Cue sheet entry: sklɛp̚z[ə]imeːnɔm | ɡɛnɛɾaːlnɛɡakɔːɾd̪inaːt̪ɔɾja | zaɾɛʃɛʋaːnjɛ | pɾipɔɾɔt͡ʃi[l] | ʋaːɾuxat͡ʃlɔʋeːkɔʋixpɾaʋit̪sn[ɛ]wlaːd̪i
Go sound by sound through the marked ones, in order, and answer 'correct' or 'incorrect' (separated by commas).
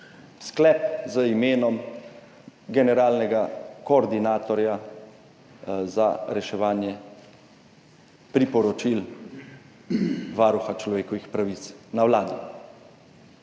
correct, correct, incorrect